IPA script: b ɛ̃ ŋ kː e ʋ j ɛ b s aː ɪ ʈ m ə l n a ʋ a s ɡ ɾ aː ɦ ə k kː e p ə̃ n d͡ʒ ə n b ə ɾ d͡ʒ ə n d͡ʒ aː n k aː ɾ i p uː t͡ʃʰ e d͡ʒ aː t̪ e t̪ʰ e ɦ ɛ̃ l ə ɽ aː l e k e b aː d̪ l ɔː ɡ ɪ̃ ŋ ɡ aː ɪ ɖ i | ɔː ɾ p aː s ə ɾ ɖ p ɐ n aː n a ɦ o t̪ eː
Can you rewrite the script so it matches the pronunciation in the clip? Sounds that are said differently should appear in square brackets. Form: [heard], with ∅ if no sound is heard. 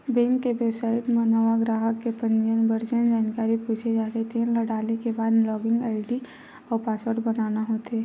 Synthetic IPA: b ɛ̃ ŋ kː e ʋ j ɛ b s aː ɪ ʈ m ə [∅] n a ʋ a [∅] ɡ ɾ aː ɦ ə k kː e p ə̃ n d͡ʒ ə n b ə ɾ d͡ʒ ə n d͡ʒ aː n k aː ɾ i p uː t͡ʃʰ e d͡ʒ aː t̪ e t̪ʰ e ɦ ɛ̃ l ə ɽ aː l e k e b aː d̪ l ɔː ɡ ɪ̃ ŋ ɡ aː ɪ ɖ i | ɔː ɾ p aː s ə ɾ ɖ [b] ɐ n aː n a ɦ o t̪ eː